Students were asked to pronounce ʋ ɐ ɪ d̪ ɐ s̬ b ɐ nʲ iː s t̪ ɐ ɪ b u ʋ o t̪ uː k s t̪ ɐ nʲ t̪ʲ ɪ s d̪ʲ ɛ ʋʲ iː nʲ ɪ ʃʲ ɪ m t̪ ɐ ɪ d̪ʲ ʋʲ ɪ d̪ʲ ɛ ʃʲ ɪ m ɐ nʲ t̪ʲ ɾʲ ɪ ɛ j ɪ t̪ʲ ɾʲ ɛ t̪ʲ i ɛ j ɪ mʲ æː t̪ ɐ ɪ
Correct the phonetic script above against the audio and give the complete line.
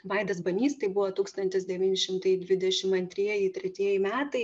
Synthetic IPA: ʋ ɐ ɪ d̪ ɐ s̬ b ɐ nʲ iː s t̪ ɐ ɪ b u ʋ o t̪ uː k s t̪ ɐ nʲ t̪ʲ ɪ s d̪ʲ ɛ ʋʲ iː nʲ ɪ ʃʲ ɪ m t̪ ɐ ɪ d̪ʲ ʋʲ ɪ d̪ʲ ɛ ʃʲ ɪ m ɐ nʲ t̪ʲ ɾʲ i ɛ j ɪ t̪ʲ ɾʲ ɛ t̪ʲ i ɛ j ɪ mʲ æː t̪ ɐ ɪ